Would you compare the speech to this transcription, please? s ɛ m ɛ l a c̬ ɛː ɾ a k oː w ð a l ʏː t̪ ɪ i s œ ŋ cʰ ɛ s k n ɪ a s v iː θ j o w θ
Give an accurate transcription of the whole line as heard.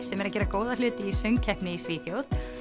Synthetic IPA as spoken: s ɛ m ɛ ɾ a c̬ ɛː ɾ a k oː w ð a l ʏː t̪ ɪ i s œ ŋ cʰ ɛ h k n ɪ i s v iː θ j o w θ